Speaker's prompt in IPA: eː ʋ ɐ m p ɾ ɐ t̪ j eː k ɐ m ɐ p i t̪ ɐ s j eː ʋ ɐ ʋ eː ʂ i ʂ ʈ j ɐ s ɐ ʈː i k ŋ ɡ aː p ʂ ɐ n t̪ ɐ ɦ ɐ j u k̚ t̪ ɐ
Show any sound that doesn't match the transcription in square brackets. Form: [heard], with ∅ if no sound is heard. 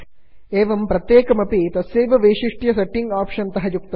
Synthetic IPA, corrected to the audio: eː ʋ ɐ m p ɾ ɐ t̪ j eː k ɐ m ɐ p i t̪ ɐ s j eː ʋ ɐ ʋ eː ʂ i ʂ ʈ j ɐ s ɐ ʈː i [∅] ŋ ɡ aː p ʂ ɐ n t̪ ɐ ɦ ɐ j u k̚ t̪ ɐ